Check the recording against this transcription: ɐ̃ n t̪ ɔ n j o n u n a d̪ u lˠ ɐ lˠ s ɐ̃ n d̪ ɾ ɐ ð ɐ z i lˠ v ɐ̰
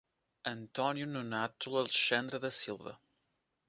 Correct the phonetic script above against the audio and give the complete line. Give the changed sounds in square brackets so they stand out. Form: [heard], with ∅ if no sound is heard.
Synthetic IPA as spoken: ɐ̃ n t̪ ɔ n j [u] n u n a [t̪] u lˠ ɐ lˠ [ʃ] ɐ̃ n d̪ ɾ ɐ ð ɐ [s] i lˠ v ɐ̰